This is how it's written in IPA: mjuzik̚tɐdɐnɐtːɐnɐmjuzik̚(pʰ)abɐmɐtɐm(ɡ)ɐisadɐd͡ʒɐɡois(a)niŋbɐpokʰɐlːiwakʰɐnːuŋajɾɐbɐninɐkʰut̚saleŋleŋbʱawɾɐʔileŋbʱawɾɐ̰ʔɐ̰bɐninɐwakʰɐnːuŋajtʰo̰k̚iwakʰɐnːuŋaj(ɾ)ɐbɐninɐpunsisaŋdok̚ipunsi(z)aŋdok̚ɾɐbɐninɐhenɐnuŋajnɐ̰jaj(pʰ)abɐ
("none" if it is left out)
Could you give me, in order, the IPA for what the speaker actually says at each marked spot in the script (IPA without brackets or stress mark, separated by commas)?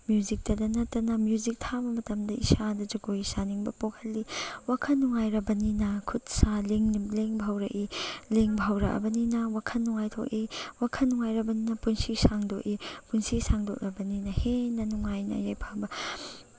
tʰ, d, a, ɾ, s, pʰ